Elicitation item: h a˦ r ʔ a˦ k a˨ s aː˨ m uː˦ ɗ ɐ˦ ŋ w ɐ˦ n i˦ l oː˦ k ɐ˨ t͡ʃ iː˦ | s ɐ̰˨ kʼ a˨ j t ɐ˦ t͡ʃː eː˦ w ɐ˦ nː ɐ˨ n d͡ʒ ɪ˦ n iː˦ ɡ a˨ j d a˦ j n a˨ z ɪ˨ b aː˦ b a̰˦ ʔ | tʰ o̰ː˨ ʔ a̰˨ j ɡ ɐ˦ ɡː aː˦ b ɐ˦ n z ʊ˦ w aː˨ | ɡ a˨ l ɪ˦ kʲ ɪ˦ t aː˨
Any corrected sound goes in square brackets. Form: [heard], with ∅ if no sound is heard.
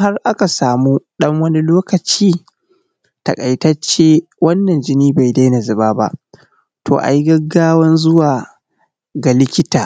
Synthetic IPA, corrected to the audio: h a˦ r ʔ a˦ k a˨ s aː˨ m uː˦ ɗ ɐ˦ ŋ w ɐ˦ n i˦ l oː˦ k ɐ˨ t͡ʃ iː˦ | [t] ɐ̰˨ kʼ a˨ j t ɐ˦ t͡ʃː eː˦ w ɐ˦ nː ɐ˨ n d͡ʒ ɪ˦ n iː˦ [b] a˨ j d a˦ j n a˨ z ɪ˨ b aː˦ b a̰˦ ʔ | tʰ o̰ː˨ ʔ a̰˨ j ɡ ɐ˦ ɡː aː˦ [w] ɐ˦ n z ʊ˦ w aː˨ | ɡ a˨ l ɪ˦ kʲ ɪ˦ t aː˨